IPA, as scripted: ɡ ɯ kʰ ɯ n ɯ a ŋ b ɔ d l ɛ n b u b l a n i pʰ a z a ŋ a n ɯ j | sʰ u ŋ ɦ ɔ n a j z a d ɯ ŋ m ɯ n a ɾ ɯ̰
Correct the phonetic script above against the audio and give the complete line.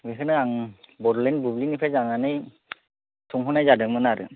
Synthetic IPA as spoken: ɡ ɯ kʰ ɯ n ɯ a ŋ b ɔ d l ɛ n b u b l i n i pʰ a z a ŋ a n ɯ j | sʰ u ŋ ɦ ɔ n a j z a d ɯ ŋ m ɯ n a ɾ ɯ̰